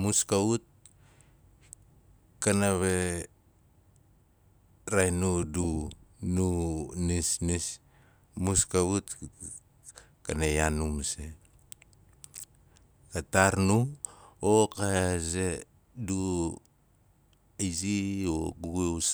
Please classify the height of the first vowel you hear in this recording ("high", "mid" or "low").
high